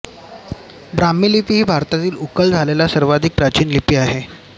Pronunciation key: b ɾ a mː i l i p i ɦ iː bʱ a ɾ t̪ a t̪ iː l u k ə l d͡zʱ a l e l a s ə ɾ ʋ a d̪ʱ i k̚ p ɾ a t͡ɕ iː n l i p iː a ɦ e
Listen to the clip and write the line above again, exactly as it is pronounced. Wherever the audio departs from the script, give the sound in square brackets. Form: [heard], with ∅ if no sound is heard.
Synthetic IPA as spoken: b ɾ a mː i l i p i ɦ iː bʱ a ɾ t̪ a t̪ iː l u k ə l d͡zʱ a l e l a s ə ɾ ʋ a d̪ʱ i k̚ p ɾ a t͡ɕ iː n l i p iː a ɦ e